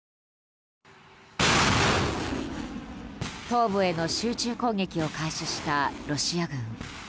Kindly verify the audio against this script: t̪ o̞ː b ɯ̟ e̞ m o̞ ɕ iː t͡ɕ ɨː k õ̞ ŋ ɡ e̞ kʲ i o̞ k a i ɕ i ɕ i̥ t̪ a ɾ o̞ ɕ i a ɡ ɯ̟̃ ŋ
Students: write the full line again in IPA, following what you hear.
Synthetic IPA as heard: t̪ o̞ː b ɯ̟ e̞ n o̞ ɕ ɨː t͡ɕ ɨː k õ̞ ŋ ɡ e̞ kʲ i o̞ k a i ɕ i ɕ i̥ t̪ a ɾ o̞ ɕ i a ɡ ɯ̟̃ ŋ

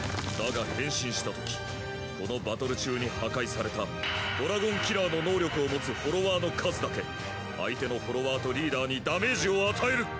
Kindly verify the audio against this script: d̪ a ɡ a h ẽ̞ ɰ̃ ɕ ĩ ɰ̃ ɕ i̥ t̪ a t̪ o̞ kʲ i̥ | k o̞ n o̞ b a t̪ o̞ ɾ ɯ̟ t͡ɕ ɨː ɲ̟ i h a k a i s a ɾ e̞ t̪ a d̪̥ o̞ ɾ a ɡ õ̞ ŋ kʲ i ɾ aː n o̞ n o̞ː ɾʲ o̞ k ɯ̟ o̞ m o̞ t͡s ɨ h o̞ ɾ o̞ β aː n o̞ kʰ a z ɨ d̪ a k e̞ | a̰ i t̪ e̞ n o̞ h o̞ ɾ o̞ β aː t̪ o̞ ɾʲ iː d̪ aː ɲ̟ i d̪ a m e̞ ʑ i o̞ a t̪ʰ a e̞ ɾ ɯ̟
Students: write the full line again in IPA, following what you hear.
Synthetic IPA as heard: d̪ a ɡ a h ẽ̞ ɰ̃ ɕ ĩ ɰ̃ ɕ i̥ t̪ a t̪ o̞ kʲ i̥ | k o̞ n o̞ b a t̪ o̞ ɾ ɯ̟ t͡ɕ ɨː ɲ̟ i h a k a i s a ɾ e̞ t̪ a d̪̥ o̞ ɾ a ɡ õ̞ ŋ kʲ i ɾ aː n o̞ n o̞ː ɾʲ o̞ k ɯ̟ o̞ m o̞ t͡s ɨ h o̞ ɾ o̞ β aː n o̞ kʰ a z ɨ d̪ a k e̞ | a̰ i t̪ e̞ n o̞ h o̞ ɾ o̞ β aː t̪ o̞ ɾʲ iː d̪ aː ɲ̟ i d̪ a m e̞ ʑ i o̞ a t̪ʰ a e̞ ɾ ɯ̟

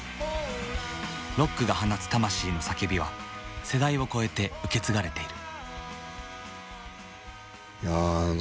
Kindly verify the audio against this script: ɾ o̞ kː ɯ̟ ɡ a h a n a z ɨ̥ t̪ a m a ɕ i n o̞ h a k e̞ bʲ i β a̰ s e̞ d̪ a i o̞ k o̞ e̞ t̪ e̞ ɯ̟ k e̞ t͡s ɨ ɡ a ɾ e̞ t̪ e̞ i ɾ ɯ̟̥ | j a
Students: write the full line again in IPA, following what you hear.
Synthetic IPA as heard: ɾ o̞ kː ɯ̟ ɡ a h a n a s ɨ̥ t̪ a m a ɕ iː n o̞ s a k e̞ bʲ i β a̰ s e̞ d̪ a i o̞ k o̞ e̞ t̪ e̞ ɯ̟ k e̞ t͡s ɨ ɡ a ɾ e̞ t̪ e̞ i ɾ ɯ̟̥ | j a

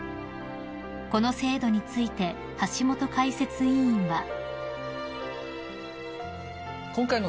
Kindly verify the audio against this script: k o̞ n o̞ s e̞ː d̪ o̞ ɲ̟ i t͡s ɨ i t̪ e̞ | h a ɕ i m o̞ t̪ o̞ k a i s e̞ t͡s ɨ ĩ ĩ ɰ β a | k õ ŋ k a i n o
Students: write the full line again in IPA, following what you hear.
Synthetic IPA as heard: k o̞ n o̞ s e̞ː d̪ o̞ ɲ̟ i t͡s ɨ i t̪ e̞ | h a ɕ i m o̞ t̪ o̞ k a i s e̞ t͡s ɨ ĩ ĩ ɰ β a | k õ ŋ k a i n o

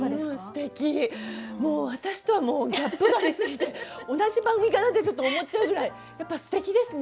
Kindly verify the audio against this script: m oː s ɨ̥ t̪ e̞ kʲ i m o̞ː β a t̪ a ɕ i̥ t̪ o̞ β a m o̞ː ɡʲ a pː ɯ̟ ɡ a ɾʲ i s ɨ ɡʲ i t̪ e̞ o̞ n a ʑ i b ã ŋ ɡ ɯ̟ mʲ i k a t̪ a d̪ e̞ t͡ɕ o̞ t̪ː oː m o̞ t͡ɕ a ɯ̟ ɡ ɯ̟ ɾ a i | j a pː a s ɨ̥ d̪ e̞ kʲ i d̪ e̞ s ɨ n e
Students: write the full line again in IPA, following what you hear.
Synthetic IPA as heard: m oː s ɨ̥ t̪ e̞ kʲ i m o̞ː β a t̪ a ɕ i̥ t̪ o̞ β a m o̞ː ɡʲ a pː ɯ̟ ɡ a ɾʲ i s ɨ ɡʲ i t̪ e̞ o̞ n a ʑ i b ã ŋ ɡ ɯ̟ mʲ i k a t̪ a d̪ e̞ t͡ɕ o̞ t̪ː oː m o̞ t͡ɕ a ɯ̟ ɡ ɯ̟ ɾ a i | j a pː a s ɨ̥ t̪ e̞ kʲ i d̪ e̞ s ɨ n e

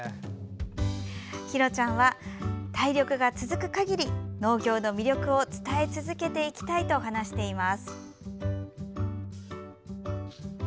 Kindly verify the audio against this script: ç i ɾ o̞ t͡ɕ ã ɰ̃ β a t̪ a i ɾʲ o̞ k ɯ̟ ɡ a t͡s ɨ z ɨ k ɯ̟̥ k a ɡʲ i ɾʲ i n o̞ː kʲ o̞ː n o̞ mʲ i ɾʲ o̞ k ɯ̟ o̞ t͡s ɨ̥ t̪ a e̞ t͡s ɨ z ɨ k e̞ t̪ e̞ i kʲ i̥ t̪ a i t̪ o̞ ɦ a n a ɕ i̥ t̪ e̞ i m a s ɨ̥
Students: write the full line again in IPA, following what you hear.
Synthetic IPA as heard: ç i ɾ o̞ t͡ɕ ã ɰ̃ β a t̪ a i ɾʲ o̞ k ɯ̟ ɡ a t͡s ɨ z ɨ k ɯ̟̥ k a ɡʲ i ɾʲ i n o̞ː ɡʲ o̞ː n o̞ mʲ i ɾʲ o̞ k ɯ̟ o̞ t͡s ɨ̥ t̪ a e̞ t͡s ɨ z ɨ k e̞ t̪ e̞ i kʲ i̥ t̪ a i t̪ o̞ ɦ a n a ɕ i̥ t̪ e̞ i m a s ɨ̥

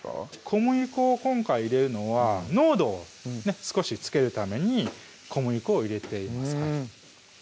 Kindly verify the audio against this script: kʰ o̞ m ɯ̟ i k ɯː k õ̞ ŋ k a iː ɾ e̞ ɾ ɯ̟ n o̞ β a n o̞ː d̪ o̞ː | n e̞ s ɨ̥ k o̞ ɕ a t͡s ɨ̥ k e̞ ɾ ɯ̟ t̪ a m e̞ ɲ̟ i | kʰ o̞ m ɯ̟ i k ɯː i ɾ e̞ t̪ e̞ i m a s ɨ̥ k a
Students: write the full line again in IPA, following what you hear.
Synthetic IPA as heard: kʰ o̞ m ɯ̟ i k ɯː k õ̞ ŋ k a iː ɾ e̞ ɾ ɯ̟ n o̞ β a n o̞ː d̪ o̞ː | n e̞ s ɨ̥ k o̞ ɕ i t͡s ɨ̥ k e̞ ɾ ɯ̟ t̪ a m e̞ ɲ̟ i | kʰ o̞ m ɯ̟ i k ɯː i ɾ e̞ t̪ e̞ i m a s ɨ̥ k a

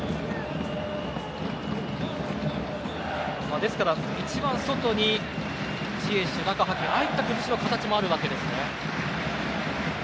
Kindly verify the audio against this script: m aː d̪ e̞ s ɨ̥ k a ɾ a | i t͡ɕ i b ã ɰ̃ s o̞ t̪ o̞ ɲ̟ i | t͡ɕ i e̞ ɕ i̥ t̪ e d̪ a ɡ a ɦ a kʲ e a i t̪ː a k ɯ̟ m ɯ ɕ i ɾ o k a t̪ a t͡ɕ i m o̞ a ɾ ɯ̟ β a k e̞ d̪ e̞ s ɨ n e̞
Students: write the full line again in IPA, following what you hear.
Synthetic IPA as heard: m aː d̪ e̞ s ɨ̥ k a ɾ a | i t͡ɕ i b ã ɰ̃ s o̞ t̪ o̞ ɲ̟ i | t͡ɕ i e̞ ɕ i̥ t̪ e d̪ a k a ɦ a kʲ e a i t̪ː a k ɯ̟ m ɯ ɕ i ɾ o k a t̪ a t͡ɕ i m o̞ a ɾ ɯ̟ β a k e̞ d̪ e̞ s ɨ n e̞

